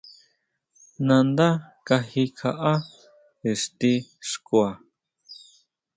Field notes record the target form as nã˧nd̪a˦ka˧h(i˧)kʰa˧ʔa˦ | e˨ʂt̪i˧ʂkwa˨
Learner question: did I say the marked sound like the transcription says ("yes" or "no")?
yes